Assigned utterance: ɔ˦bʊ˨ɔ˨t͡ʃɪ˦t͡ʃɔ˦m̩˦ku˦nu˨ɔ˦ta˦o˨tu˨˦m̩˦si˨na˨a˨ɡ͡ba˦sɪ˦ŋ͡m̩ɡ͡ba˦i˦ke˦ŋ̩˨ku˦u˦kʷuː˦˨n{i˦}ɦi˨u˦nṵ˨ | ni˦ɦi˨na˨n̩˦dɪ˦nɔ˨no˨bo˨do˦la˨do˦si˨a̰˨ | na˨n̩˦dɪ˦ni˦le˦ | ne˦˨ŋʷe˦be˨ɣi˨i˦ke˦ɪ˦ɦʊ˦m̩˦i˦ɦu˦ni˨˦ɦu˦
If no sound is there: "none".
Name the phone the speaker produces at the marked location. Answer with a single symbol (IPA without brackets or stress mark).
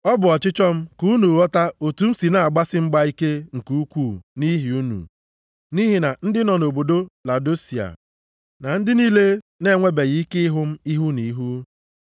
i˦